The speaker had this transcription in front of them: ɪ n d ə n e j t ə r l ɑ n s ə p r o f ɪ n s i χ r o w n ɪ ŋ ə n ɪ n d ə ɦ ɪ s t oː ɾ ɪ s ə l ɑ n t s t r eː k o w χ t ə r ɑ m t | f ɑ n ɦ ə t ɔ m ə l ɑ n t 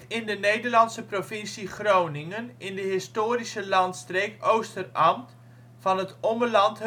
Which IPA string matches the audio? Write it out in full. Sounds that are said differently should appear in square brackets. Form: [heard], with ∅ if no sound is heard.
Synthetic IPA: ɪ n d ə n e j [d] ə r l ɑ n s ə p r o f ɪ n s i χ r o w n ɪ ŋ ə n ɪ n d ə ɦ ɪ s t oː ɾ [i] s ə l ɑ n t s t r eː k o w [s] t ə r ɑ m t | f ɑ n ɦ ə t ɔ m ə l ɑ n t